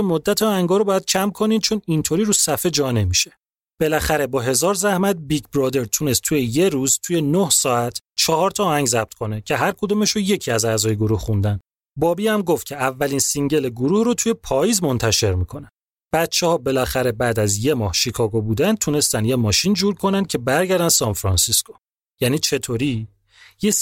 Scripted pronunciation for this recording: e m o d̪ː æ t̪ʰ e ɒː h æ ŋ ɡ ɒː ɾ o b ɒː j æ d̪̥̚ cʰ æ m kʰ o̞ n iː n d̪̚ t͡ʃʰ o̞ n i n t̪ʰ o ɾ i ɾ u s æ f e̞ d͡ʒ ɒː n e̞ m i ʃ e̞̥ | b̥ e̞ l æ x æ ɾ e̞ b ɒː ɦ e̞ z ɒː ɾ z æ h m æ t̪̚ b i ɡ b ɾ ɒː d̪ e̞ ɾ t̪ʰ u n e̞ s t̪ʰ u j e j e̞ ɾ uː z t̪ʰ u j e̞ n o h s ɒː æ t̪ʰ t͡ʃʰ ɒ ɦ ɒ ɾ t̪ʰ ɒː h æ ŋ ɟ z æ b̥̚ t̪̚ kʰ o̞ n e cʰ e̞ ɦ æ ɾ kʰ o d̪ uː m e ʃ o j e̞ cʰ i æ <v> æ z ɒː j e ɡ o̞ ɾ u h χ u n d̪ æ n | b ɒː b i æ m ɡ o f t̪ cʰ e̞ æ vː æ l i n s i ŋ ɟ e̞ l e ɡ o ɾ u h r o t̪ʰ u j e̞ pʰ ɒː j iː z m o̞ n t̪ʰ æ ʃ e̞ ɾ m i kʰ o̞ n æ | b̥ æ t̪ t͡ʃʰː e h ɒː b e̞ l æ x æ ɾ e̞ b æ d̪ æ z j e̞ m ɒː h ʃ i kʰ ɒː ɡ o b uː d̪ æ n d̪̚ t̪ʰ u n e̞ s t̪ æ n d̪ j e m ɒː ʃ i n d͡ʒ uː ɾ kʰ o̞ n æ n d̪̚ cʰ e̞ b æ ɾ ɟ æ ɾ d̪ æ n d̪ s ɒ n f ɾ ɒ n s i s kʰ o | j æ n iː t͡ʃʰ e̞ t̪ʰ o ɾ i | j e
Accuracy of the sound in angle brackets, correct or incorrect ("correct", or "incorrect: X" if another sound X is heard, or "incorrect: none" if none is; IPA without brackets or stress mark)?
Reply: incorrect: z